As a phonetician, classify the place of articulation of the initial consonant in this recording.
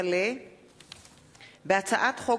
alveolar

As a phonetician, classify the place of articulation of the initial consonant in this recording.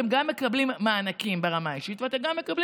labial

